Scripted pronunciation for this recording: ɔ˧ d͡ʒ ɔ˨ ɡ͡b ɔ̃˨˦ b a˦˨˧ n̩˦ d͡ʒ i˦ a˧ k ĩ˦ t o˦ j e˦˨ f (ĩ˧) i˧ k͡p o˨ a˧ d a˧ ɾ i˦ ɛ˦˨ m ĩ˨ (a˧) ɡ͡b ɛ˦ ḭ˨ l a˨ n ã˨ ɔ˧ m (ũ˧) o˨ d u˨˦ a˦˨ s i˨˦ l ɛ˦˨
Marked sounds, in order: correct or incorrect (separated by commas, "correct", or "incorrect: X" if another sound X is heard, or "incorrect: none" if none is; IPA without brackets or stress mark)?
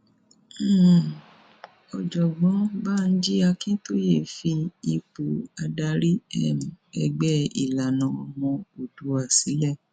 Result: incorrect: i˧, incorrect: ɛ˧, incorrect: ɔ̃˧